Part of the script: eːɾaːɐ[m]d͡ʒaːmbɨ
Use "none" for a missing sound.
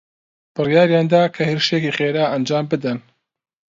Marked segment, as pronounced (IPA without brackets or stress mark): n